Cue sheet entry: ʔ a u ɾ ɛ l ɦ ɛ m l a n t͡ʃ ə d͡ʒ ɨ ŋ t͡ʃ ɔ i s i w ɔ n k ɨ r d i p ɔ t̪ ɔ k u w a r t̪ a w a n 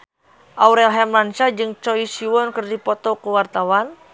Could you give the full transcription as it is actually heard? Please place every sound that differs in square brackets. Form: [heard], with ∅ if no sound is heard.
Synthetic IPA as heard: ʔ a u ɾ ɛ l ɦ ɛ m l a n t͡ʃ [a] d͡ʒ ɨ ŋ t͡ʃ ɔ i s i w ɔ n k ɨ r d i p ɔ t̪ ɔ k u w a r t̪ a w a n